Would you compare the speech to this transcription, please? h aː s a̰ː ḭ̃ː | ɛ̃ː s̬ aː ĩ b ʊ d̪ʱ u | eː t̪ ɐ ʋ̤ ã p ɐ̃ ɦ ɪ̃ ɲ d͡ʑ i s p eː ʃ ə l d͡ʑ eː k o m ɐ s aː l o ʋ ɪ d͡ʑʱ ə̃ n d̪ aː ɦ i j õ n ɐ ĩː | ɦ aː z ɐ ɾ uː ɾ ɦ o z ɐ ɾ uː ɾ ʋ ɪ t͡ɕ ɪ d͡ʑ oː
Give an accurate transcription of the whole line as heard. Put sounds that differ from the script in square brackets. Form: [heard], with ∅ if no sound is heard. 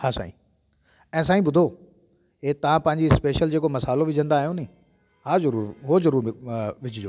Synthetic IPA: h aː s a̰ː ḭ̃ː | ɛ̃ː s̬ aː ĩ b ʊ d̪ʱ [o] | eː t̪ ɐ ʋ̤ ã p ɐ̃ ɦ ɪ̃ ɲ d͡ʑ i s p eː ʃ ə l d͡ʑ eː k o m ɐ s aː l o ʋ ɪ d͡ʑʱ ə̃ n d̪ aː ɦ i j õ n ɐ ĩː | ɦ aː z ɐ ɾ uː ɾ ɦ o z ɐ ɾ uː ɾ ʋ ɪ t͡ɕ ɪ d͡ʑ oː